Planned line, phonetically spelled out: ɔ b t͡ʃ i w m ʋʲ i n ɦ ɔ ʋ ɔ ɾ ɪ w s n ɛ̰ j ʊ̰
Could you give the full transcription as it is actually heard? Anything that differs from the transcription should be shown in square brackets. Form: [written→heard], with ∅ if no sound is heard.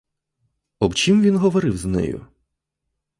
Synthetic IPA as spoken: ɔ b t͡ʃ i [w→∅] m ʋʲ i n ɦ ɔ ʋ ɔ ɾ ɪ w [s→z] n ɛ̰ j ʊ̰